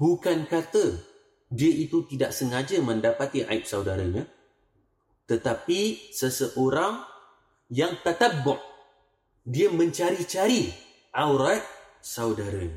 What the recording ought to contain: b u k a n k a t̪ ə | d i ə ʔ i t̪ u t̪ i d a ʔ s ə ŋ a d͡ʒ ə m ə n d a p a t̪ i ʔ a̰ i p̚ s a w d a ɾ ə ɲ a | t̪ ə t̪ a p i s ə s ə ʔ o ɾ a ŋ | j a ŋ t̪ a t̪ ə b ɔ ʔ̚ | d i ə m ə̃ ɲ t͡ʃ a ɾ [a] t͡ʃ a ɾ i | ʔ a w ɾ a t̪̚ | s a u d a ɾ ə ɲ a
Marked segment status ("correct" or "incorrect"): incorrect